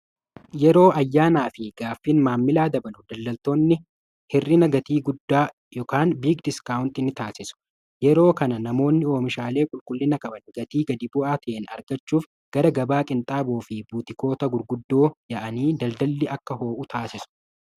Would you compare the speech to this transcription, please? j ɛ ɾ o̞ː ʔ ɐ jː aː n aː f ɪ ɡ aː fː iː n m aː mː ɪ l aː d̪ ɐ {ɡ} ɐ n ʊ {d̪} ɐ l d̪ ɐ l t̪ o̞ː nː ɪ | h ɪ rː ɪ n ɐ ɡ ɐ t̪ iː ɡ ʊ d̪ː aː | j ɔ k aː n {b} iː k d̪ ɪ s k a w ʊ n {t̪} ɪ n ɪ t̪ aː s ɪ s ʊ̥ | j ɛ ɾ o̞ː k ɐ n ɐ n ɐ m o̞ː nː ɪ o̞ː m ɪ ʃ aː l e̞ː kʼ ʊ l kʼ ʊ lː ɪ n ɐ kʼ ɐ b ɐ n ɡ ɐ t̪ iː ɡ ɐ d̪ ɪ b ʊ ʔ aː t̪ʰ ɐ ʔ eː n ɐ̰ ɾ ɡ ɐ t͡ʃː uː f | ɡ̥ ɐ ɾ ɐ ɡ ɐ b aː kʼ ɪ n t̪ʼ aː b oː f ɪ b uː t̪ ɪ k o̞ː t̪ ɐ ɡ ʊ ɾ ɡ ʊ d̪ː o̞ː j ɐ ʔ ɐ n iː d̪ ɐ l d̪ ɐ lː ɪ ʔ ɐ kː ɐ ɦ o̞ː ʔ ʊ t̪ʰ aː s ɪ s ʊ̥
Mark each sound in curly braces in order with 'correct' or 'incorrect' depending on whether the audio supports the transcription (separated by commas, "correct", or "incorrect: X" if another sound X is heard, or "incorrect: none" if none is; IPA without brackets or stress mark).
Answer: incorrect: b, correct, correct, correct